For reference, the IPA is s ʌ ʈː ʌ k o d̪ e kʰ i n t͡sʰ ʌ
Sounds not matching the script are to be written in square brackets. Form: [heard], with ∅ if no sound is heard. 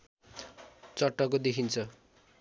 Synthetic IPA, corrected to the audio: [t͡s] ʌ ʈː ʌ k o d̪ e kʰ i n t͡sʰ ʌ